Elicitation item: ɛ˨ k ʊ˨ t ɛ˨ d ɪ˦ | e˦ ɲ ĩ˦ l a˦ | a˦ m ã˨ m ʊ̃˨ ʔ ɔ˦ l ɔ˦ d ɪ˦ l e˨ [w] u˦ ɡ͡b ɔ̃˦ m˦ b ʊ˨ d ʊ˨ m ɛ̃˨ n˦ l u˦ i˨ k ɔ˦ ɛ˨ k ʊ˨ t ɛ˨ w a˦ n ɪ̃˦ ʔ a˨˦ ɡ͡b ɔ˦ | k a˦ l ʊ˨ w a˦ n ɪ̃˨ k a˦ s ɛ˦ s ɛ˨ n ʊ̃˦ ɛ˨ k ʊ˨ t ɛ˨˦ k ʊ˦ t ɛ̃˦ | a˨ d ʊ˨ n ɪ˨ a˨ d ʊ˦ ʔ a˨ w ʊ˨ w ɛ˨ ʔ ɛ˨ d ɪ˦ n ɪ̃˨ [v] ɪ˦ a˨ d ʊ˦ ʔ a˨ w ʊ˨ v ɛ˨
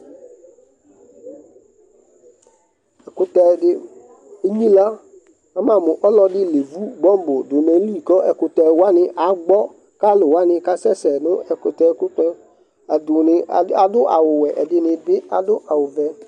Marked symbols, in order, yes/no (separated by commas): no, no